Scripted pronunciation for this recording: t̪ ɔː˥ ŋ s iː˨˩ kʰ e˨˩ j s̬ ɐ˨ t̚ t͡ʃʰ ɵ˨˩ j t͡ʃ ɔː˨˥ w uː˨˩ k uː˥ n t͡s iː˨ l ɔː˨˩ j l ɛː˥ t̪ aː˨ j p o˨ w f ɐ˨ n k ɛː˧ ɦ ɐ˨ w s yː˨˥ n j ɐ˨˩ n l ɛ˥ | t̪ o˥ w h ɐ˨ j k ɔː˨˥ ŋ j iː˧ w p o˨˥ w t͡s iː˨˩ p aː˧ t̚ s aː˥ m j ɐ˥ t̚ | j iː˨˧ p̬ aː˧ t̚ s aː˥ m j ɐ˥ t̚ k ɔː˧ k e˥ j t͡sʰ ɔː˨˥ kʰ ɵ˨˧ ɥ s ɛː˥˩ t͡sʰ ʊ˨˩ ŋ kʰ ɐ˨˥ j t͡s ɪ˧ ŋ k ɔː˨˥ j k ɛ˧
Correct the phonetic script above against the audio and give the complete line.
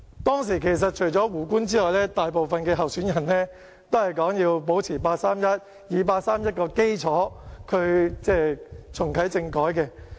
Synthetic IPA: t̪ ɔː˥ ŋ s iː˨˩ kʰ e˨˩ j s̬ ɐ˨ t̚ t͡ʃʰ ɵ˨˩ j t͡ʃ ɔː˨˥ w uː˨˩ k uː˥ n t͡s iː˥ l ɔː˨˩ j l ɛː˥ t̪ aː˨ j p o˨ w f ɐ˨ n k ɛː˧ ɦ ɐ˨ w s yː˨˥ n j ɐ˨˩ n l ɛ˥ | t̪ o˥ w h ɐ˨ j k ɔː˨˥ ŋ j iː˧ w p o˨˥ w t͡sʰ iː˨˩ p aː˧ t̚ s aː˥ m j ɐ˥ t̚ | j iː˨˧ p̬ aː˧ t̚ s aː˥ m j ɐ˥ t̚ k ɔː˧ k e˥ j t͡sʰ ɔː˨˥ kʰ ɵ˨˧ ɥ t͡s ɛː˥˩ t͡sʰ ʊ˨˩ ŋ kʰ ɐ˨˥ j t͡s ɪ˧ ŋ k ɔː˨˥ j k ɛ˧